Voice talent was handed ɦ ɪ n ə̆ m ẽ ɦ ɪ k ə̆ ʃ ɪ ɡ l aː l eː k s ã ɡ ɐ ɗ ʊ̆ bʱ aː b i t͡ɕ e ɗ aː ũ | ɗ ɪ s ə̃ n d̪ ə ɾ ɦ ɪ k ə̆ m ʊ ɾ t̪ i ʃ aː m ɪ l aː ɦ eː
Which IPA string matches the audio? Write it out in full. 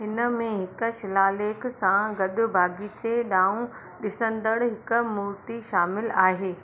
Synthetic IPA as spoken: ɦ ɪ n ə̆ m ẽ ɦ ɪ k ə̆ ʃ ɪ l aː l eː k s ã ɡ ɐ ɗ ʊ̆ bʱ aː ɡ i t͡ɕ e ɗ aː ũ | ɗ ɪ s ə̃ n d̪ ə ɽ ɦ ɪ k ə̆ m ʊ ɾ t̪ i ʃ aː m ɪ l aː ɦ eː